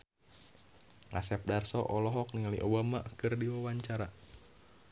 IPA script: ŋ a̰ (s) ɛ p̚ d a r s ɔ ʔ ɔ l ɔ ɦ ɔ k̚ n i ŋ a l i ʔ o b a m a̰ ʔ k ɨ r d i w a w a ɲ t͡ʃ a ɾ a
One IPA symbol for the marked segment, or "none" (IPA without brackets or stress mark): s